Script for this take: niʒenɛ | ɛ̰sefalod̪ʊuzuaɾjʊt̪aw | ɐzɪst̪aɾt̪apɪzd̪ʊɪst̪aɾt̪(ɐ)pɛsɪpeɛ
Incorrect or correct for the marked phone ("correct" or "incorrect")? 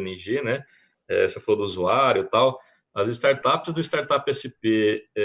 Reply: incorrect